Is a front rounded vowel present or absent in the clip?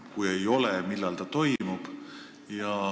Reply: absent